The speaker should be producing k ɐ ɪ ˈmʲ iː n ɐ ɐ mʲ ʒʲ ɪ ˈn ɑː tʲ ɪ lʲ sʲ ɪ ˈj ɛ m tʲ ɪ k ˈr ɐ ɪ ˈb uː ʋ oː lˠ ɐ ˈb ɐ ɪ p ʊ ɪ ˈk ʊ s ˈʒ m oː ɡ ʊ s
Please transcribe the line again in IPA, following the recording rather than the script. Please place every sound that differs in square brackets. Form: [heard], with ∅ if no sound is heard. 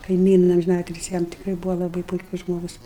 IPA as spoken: k ɐ ɪ ˈmʲ iː n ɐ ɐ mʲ ʒʲ ɪ ˈn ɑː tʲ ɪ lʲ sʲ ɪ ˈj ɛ m tʲ ɪ k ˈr ɐ ɪ ˈb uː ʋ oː lˠ ɐ ˈb ɐ ɪ p ʊ ɪ ˈk ʊ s ˈʒ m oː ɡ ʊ s